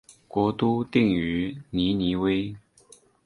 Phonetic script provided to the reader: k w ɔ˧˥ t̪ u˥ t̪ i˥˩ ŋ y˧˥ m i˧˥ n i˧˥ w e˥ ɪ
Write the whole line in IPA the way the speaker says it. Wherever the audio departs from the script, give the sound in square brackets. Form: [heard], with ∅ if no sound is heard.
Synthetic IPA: k w ɔ˧˥ t̪ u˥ t̪ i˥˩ ŋ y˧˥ [n] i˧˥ n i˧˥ w e˥ ɪ